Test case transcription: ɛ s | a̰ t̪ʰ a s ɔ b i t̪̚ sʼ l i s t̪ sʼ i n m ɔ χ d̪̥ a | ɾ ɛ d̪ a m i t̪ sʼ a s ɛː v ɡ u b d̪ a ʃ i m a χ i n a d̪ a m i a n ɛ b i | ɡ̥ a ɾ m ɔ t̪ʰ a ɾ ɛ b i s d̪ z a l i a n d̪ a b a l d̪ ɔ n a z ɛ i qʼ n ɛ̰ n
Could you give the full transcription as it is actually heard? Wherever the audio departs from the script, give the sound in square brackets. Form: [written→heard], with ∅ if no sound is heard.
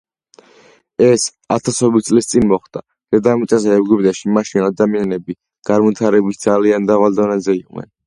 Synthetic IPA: ɛ s | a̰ t̪ʰ a s ɔ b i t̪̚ sʼ l i s t̪ sʼ i n m ɔ χ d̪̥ a | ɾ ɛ d̪ a m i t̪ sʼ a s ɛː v ɡ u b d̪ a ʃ i m a [χ→ʃ] i n a d̪ a m i a n ɛ b i | ɡ̥ a ɾ m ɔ t̪ʰ a ɾ ɛ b i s d̪ z a l i a n d̪ a [b→v] a l d̪ ɔ n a z ɛ i qʼ n ɛ̰ n